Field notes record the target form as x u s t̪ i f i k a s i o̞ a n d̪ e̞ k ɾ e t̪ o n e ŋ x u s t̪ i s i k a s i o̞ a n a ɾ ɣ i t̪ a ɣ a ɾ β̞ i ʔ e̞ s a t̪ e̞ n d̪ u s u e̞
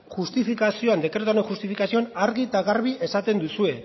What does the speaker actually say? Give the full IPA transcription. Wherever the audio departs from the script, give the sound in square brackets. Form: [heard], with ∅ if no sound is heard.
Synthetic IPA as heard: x u s t̪ i f i k a s i o̞ a n d̪ e̞ k ɾ e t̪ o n e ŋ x u s t̪ i [f] i k a s i o̞ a n a ɾ ɣ i t̪ a ɣ a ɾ β̞ i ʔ e̞ s a t̪ e̞ n d̪ u s u e̞